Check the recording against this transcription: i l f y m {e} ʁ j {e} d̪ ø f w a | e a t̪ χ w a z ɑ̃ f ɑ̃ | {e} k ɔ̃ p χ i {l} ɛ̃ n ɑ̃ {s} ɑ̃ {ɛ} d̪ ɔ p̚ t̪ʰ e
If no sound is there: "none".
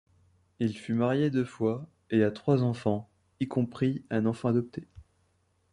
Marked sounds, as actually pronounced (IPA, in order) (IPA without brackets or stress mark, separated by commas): a, e, i, none, f, a